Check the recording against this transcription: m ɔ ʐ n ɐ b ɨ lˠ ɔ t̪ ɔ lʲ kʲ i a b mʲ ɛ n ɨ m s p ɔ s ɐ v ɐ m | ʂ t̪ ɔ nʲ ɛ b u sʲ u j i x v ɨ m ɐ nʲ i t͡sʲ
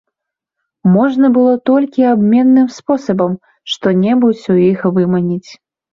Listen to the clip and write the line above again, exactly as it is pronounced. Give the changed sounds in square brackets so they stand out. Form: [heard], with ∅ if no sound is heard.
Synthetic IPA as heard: m ɔ ʐ n ɐ b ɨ lˠ ɔ t̪ ɔ lʲ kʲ i a b mʲ ɛ [nː] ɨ m s p ɔ s ɐ [b] ɐ m | ʂ t̪ ɔ nʲ ɛ b u [t͡sʲ] u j i x v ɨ m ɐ nʲ i t͡sʲ